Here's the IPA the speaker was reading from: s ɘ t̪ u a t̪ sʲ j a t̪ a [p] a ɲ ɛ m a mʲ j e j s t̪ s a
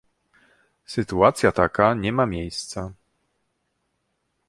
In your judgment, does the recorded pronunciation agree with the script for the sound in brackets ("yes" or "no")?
no